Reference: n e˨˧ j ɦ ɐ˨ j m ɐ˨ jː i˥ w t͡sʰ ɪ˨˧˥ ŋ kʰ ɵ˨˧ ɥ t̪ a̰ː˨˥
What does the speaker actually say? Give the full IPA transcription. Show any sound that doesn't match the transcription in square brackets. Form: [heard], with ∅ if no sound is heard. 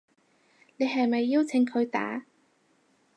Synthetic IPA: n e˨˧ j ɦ ɐ˨ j m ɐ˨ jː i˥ w t͡sʰ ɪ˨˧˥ ŋ kʰ ɵ˨˧ ɥ t̪ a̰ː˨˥